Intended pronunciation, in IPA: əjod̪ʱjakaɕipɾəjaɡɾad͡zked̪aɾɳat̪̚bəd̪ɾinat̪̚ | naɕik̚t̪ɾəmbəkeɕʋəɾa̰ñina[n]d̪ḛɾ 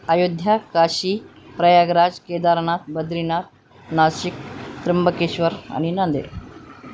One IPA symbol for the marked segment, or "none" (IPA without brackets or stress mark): n